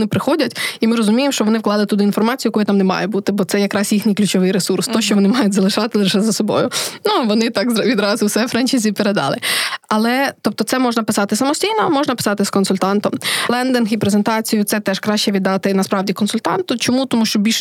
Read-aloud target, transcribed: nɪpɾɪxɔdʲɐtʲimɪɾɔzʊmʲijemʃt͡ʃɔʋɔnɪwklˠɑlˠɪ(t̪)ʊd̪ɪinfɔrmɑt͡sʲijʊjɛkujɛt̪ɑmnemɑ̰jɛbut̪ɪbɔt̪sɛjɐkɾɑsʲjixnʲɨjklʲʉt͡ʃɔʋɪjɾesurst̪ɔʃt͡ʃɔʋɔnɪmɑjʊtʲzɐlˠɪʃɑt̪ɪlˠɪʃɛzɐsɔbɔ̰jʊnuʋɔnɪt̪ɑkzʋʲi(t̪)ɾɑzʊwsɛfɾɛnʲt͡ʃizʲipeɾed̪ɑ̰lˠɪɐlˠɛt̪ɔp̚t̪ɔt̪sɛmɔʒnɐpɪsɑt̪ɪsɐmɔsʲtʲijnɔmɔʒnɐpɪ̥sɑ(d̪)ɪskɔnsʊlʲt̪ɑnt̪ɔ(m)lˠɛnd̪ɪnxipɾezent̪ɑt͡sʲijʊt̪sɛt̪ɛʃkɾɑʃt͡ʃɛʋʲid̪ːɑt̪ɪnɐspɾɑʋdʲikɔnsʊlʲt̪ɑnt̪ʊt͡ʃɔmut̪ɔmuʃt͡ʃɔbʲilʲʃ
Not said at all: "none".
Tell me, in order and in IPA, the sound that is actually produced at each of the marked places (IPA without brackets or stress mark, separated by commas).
t̪, d̪, t̪, m